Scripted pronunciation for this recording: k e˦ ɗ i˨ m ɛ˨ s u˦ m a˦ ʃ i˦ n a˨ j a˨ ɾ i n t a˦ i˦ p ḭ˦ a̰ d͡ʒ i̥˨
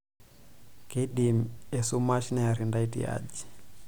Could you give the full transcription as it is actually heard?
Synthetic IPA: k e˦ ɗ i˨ m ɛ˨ s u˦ m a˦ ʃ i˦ n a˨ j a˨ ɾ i n d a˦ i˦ t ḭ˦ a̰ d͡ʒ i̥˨